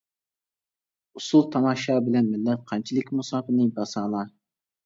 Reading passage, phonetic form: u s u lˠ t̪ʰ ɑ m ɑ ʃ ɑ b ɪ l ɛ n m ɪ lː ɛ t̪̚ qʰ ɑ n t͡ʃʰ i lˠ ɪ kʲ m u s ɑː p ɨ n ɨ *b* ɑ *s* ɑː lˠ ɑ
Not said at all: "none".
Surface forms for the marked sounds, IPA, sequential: b, s

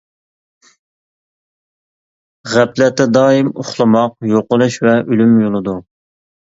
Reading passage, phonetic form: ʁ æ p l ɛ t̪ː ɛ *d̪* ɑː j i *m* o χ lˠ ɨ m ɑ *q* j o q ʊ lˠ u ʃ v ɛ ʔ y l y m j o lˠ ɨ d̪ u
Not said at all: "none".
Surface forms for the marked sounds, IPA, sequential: d̪, m, q

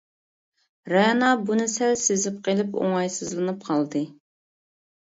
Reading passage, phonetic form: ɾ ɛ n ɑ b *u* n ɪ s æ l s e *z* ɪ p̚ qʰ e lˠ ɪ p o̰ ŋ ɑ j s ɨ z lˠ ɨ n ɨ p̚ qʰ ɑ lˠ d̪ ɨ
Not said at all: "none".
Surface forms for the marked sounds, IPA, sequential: u, z

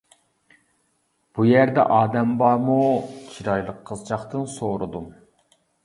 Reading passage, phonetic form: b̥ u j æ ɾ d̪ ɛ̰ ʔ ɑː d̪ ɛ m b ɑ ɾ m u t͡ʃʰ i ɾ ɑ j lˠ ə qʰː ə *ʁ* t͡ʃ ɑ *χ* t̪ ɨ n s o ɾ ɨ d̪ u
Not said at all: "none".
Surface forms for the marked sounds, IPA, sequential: z, χ

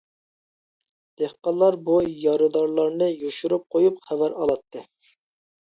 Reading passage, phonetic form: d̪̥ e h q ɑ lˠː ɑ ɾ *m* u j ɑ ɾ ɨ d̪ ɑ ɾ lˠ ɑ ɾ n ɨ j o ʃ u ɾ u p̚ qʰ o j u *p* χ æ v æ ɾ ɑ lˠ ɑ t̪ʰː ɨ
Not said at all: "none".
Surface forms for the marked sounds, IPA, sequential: b, p

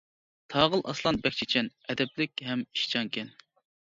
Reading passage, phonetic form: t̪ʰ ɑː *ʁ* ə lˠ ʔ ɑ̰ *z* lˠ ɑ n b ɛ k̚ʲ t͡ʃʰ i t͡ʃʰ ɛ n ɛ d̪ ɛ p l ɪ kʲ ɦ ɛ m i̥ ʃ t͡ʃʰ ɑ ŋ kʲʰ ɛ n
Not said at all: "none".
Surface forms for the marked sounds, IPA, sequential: ʁ, s

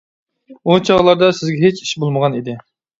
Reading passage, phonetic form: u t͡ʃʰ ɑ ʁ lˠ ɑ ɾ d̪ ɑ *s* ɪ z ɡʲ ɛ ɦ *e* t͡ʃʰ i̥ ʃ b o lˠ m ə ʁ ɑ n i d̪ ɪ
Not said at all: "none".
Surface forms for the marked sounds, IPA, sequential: s, e

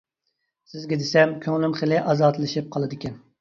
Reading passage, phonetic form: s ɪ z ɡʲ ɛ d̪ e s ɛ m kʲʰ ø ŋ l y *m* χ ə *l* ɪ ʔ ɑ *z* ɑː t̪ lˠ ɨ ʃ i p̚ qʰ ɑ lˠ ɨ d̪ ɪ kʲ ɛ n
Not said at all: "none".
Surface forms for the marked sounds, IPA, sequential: m, l, z

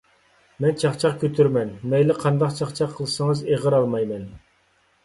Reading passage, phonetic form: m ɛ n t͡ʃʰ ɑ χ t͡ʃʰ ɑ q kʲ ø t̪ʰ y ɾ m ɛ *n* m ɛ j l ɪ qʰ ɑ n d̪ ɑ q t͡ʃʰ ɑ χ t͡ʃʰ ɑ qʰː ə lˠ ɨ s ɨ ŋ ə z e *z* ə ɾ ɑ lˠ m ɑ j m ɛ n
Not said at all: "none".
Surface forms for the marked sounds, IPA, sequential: n, ʁ

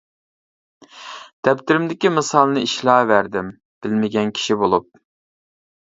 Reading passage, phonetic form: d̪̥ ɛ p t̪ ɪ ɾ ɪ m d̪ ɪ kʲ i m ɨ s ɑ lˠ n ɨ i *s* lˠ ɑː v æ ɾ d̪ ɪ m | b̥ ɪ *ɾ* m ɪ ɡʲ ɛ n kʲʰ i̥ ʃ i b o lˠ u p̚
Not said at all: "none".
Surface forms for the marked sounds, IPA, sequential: ʃ, l

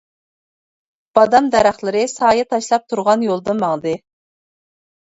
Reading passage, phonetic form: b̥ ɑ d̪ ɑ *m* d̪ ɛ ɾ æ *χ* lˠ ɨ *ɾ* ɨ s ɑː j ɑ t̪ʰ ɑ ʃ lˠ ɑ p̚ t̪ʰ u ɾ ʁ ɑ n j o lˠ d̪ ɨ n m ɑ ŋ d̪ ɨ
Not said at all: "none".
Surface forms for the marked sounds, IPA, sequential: m, χ, ɾ

